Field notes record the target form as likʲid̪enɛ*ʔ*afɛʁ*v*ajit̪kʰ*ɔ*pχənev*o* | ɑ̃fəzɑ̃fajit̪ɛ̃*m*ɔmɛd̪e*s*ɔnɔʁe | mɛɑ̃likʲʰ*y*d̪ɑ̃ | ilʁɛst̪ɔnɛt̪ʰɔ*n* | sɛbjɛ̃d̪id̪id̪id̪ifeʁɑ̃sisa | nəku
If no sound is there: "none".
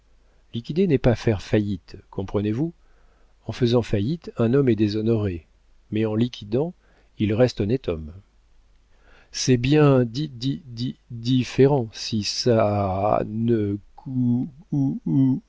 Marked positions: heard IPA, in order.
p, f, ɔ̃, u, n, z, i, m

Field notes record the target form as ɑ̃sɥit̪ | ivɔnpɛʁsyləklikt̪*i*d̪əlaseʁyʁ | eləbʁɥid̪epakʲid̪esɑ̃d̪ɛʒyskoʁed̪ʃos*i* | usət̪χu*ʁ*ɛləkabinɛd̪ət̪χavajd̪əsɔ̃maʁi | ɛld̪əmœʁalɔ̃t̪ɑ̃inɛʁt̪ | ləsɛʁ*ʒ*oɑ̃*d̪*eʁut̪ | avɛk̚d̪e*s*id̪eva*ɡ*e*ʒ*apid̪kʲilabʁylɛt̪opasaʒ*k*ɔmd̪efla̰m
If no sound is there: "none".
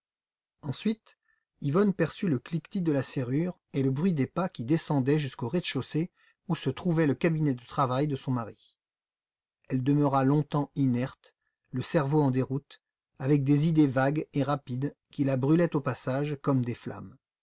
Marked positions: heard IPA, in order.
i, e, v, v, d̪, z, ɡ, ʁ, k

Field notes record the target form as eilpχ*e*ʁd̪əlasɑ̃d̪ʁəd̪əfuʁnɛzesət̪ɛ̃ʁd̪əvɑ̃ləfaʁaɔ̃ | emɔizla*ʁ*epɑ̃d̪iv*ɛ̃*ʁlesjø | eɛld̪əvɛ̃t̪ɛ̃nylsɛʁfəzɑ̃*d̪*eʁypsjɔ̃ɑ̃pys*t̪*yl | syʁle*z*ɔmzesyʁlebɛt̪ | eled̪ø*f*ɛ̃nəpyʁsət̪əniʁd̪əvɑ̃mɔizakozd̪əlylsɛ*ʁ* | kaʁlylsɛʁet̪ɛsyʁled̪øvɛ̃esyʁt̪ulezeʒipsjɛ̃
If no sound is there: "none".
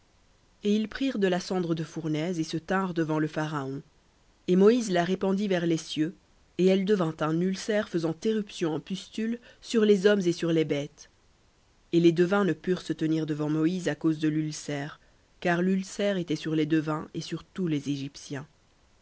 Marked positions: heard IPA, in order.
i, ʁ, ɛ, t̪, t̪, z, v, ʁ

